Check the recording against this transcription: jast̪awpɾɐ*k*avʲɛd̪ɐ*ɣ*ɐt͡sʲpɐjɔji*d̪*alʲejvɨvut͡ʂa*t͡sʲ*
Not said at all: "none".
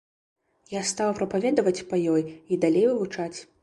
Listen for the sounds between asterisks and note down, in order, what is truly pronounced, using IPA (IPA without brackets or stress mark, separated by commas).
p, v, d̪, t͡sʲ